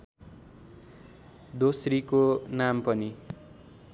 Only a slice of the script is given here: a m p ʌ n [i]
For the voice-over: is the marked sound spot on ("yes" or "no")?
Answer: yes